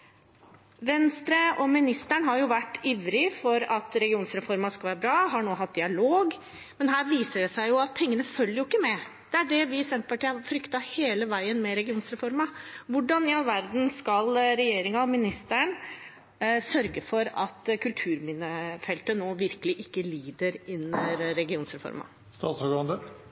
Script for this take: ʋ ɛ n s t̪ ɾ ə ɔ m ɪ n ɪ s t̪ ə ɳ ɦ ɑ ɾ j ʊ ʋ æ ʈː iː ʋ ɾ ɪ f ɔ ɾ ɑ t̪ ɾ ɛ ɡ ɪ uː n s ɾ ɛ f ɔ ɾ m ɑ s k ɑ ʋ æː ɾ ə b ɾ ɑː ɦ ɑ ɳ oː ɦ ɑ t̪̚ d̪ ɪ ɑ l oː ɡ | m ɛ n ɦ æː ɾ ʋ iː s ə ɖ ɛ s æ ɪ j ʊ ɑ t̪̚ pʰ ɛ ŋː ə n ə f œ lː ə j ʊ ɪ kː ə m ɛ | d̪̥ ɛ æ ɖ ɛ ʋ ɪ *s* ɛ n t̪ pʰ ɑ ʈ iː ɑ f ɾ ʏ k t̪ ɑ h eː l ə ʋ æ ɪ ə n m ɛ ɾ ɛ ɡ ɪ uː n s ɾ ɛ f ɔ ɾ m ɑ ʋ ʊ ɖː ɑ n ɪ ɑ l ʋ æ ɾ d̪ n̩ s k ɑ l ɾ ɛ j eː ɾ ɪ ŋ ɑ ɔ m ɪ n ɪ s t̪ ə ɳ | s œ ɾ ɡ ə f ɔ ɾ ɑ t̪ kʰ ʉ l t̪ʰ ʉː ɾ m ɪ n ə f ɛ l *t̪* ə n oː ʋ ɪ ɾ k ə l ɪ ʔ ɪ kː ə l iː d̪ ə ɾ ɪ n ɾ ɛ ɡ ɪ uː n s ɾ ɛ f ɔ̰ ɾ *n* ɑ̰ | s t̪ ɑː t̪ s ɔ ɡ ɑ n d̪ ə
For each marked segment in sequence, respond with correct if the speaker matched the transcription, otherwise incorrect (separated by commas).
correct, correct, incorrect